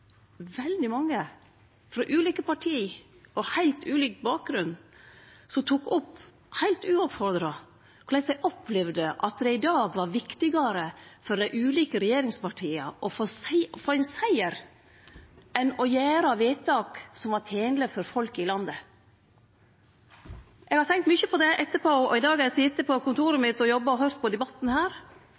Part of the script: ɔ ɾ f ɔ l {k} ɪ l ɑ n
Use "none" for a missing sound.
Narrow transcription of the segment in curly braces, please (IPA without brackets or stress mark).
k